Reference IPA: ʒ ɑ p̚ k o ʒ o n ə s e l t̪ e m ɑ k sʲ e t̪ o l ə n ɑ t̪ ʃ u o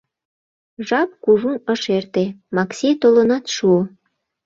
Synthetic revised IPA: ʒ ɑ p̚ k u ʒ u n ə ʃ e r t̪ e m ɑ k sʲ e t̪ o l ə n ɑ t̪ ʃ u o